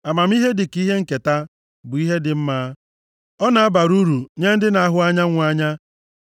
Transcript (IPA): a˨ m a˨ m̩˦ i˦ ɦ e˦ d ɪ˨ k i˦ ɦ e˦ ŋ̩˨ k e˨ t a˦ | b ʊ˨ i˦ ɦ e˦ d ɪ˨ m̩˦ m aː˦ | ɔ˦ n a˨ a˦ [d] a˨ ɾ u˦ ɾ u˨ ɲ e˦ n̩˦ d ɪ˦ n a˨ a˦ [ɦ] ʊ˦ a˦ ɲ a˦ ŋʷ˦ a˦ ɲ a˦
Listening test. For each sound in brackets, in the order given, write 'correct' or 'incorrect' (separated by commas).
incorrect, correct